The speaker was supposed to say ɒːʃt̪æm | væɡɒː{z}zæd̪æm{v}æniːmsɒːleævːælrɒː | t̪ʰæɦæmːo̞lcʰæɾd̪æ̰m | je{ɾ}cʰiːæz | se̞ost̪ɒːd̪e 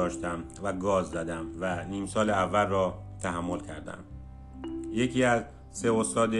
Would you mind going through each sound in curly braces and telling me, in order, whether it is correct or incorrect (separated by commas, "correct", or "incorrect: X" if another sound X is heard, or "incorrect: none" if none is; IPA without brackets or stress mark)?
correct, correct, incorrect: none